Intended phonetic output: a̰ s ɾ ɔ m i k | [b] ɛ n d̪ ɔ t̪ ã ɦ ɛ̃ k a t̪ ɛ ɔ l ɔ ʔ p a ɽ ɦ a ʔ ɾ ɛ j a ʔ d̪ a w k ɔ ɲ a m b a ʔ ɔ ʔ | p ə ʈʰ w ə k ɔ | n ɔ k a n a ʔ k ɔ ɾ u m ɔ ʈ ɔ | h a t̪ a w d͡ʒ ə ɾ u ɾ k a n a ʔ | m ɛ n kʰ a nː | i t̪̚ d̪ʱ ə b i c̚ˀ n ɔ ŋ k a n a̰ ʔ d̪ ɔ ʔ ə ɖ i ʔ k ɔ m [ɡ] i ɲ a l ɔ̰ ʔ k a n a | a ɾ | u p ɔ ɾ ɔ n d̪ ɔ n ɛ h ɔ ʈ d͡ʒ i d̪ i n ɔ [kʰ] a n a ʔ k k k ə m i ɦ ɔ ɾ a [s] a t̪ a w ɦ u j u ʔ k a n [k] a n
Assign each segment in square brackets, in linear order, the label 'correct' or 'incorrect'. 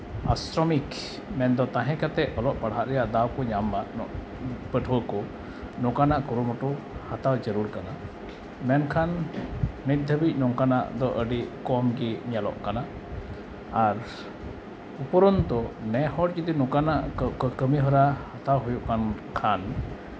incorrect: m, correct, incorrect: k, incorrect: h, incorrect: kʰ

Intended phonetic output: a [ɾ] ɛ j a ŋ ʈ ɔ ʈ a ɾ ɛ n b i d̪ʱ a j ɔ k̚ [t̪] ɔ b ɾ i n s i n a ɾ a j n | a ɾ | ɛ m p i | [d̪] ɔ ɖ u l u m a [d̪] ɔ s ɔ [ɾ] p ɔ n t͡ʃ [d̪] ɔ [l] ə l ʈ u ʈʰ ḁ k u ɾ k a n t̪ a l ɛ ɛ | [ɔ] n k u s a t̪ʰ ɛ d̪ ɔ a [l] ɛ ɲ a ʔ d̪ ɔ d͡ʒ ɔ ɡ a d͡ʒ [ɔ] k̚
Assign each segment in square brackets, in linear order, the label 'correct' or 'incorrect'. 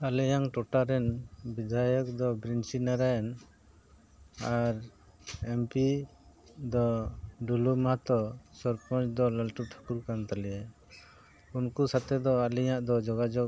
incorrect: l, incorrect: d̪, correct, incorrect: t̪, correct, correct, correct, incorrect: u, correct, correct

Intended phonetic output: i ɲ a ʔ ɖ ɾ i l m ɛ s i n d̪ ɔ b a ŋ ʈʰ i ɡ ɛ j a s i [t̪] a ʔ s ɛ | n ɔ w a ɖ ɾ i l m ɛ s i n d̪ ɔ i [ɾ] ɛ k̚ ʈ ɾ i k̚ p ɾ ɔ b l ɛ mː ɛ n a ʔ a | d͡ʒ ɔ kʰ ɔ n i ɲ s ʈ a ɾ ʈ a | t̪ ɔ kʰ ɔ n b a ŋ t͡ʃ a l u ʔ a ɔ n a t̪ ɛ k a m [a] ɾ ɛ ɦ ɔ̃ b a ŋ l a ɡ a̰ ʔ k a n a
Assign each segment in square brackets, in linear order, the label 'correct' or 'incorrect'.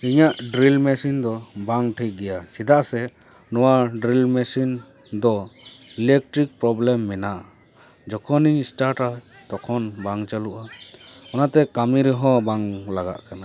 incorrect: d̪, incorrect: l, incorrect: i

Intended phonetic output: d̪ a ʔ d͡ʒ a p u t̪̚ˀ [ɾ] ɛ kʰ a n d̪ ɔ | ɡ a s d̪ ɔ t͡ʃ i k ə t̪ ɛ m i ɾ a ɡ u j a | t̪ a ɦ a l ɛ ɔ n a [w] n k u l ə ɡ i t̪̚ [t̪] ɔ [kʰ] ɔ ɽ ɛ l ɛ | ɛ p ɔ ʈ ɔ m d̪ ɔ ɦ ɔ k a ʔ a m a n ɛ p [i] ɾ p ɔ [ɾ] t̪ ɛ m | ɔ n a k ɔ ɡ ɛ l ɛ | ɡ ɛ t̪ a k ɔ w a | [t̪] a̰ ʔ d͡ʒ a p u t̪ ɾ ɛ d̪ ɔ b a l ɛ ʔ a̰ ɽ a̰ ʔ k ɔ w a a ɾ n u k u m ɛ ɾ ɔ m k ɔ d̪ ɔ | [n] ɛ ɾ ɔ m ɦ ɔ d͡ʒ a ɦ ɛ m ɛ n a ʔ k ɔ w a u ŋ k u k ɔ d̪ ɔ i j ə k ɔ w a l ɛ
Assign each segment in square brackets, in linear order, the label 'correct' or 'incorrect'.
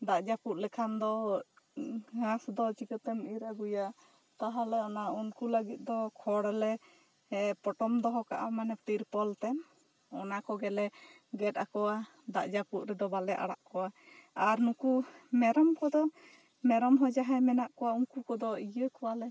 incorrect: l, incorrect: u, incorrect: d̪, correct, correct, incorrect: l, incorrect: d̪, incorrect: m

